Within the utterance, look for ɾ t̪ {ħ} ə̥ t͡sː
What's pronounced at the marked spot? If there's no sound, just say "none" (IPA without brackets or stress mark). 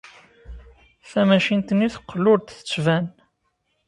θ